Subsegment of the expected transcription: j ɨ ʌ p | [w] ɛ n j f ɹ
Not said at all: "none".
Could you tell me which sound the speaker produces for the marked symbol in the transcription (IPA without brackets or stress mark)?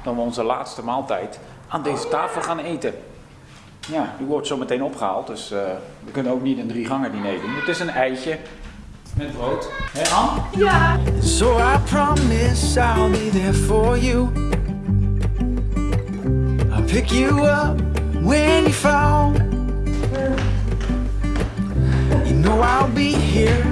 w